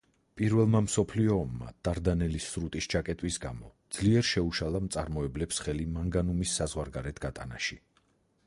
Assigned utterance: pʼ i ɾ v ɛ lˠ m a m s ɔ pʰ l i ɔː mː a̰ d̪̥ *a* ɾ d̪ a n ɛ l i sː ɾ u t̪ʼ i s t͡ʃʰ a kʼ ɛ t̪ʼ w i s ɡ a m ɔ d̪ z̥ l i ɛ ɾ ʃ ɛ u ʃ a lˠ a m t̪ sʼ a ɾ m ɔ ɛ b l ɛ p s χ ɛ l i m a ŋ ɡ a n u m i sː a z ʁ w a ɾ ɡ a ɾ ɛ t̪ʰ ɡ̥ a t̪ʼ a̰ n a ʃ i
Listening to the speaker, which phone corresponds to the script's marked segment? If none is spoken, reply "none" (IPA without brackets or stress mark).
a